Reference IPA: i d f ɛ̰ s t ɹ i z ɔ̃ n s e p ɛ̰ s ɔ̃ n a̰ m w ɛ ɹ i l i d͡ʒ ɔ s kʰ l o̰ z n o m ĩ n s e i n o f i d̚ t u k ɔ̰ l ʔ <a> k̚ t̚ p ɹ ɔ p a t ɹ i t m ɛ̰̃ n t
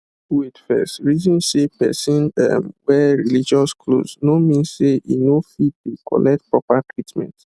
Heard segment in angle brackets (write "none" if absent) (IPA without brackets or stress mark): ɛ